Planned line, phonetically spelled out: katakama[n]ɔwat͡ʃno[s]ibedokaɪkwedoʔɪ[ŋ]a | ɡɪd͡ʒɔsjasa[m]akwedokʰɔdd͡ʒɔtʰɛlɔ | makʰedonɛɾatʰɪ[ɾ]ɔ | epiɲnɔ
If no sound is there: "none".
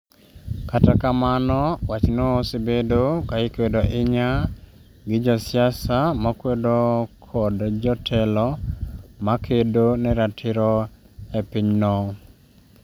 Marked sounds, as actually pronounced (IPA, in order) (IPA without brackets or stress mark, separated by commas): n, s, ɲ, m, ɾ